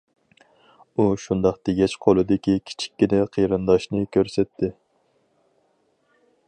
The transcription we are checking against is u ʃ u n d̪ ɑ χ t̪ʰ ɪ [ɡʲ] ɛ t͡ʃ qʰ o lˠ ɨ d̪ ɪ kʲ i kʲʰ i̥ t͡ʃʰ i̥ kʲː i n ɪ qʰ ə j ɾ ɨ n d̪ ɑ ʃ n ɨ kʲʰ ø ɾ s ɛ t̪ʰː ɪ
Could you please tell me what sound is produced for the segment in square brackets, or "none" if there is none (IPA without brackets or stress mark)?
ɡʲ